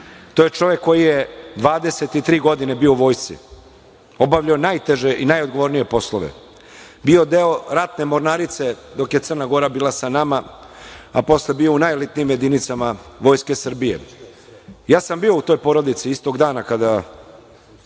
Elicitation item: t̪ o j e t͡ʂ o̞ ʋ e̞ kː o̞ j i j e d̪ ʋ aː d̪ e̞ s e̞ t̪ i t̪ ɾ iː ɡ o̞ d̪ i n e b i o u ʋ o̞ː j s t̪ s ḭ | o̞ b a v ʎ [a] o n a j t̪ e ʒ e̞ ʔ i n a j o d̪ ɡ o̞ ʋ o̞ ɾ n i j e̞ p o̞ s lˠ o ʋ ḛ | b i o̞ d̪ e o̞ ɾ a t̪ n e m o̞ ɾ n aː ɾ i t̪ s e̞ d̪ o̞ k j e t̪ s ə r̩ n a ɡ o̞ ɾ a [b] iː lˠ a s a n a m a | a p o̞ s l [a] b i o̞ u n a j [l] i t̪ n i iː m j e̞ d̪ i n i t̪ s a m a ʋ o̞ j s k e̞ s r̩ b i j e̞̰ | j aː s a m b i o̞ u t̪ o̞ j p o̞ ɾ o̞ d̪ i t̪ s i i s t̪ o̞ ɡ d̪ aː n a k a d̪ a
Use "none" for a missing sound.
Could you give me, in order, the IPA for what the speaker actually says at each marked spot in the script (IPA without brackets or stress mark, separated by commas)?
a, b, e, l